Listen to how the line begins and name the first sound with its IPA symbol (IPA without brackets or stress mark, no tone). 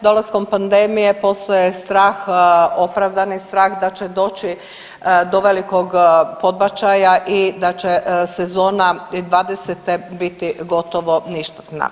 d̪